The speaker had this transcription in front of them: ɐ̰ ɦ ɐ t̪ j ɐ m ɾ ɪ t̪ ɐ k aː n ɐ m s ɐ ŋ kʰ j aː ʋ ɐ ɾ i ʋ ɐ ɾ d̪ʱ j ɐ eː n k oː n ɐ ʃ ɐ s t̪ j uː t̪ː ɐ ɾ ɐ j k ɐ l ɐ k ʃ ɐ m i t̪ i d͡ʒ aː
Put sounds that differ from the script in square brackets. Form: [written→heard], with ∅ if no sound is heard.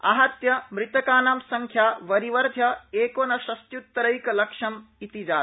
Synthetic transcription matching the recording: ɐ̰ ɦ ɐ t̪ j ɐ m ɾ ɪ t̪ ɐ k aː n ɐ m s ɐ ŋ kʰ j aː ʋ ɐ ɾ i ʋ ɐ ɾ d̪ʱ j ɐ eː [n→∅] k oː n ɐ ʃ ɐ s t̪ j [uː→u] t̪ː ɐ ɾ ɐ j k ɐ l ɐ k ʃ ɐ m i t̪ i d͡ʒ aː